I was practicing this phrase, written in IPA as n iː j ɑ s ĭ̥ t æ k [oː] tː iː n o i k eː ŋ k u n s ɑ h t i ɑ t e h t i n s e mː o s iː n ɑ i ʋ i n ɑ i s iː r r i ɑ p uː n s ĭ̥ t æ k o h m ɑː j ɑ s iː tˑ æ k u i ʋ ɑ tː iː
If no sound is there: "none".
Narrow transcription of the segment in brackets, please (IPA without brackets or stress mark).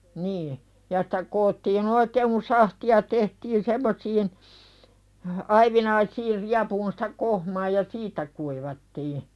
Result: oː